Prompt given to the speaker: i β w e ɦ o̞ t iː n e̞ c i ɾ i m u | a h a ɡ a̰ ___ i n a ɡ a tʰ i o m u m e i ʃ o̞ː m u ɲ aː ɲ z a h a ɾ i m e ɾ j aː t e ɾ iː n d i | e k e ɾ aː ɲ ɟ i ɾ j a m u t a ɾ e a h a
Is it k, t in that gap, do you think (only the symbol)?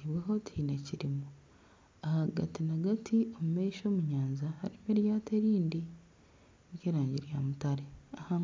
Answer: t